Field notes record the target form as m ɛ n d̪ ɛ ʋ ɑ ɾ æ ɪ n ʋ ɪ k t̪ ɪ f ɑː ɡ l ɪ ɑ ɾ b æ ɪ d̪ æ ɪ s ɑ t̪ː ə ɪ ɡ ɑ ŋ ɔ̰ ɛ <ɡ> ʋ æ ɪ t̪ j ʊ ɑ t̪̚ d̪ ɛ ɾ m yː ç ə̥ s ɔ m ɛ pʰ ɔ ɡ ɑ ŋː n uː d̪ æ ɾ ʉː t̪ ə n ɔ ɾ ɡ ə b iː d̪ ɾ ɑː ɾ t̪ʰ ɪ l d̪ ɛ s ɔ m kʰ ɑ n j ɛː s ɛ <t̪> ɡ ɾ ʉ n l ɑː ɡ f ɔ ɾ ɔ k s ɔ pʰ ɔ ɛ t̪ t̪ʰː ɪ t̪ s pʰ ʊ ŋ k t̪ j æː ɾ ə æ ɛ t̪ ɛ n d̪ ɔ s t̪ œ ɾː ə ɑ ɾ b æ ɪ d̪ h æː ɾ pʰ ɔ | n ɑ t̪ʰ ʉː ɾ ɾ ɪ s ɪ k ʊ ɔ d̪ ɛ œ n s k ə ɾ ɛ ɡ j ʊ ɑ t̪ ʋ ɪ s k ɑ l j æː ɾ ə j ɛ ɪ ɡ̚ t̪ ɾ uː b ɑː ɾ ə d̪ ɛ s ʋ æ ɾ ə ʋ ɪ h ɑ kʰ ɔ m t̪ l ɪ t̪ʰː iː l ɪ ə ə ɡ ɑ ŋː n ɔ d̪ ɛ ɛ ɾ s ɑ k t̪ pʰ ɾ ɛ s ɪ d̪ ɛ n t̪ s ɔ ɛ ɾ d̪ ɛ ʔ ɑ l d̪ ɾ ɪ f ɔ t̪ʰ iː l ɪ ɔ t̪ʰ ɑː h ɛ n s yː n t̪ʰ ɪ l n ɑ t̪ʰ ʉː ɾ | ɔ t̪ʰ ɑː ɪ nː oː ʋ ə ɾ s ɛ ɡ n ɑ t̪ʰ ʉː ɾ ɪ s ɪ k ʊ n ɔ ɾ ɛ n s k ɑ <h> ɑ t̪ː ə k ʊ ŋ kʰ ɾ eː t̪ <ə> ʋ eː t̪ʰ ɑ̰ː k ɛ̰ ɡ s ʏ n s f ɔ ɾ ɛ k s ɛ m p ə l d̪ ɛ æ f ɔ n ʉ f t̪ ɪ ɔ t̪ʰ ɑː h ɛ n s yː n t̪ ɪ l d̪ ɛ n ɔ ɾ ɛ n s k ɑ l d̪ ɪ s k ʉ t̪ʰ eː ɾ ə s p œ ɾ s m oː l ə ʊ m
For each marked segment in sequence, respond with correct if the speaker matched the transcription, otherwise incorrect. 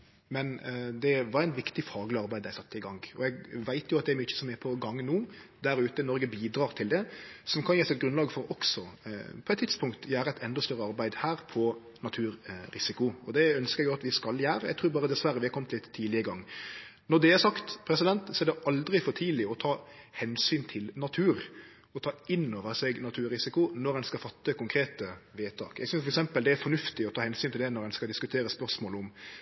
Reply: correct, correct, incorrect, correct

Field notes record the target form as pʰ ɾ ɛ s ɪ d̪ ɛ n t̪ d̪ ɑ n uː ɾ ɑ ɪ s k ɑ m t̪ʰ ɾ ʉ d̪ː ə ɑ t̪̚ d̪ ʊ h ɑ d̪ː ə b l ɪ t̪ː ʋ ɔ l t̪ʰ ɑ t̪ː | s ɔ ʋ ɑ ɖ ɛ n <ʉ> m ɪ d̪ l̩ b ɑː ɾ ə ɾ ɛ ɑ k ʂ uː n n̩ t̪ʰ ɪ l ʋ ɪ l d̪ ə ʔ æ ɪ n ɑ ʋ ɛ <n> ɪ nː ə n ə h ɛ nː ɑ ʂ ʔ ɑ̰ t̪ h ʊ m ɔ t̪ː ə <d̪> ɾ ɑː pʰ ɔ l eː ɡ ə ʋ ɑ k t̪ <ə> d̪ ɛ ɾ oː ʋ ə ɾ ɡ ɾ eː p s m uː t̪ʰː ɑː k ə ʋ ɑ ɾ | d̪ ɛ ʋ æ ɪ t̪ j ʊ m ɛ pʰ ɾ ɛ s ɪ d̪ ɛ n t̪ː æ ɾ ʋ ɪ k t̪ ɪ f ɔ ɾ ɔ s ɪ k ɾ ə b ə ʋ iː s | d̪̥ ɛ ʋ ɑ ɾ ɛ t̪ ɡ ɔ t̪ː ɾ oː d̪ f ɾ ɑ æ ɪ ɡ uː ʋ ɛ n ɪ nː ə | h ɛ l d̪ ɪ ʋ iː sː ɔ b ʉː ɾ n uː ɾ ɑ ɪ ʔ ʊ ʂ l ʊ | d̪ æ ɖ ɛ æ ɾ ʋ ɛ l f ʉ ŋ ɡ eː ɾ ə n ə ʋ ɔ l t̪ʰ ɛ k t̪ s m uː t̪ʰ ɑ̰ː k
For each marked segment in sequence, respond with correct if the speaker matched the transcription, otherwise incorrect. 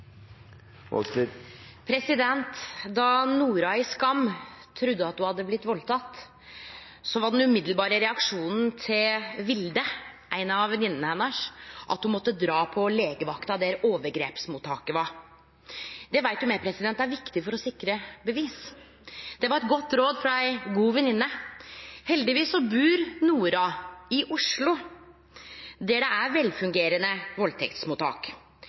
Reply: correct, correct, correct, incorrect

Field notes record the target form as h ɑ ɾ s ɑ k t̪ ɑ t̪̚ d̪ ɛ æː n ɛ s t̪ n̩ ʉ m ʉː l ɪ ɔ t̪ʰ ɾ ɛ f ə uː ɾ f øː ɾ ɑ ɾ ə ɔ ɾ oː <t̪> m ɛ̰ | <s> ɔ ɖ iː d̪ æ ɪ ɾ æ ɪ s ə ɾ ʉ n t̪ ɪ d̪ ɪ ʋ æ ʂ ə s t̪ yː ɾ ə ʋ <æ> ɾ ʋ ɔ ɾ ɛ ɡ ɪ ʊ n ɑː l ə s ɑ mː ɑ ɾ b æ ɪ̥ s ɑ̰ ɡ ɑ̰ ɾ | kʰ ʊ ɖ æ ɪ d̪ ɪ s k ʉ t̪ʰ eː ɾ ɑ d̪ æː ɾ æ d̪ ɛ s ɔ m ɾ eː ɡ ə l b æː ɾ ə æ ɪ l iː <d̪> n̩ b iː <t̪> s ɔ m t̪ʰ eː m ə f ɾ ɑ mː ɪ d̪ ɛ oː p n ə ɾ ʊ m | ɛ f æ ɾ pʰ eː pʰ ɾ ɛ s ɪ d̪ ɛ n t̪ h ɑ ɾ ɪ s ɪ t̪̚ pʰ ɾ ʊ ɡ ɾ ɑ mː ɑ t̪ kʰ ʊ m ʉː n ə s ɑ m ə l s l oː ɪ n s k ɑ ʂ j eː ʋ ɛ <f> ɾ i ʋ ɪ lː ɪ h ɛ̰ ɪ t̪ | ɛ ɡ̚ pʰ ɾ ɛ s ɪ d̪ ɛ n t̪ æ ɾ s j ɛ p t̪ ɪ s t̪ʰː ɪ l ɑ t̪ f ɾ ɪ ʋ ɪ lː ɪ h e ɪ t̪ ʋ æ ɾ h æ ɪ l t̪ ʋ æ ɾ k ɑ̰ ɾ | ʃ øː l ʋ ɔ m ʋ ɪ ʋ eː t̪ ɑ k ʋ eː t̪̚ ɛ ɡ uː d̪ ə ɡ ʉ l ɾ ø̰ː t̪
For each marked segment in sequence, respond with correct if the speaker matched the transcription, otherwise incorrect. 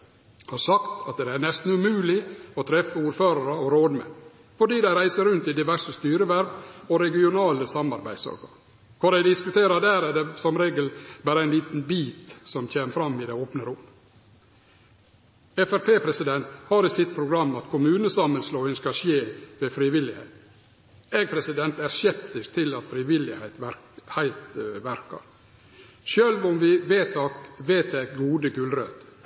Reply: incorrect, incorrect, correct, incorrect, correct, correct

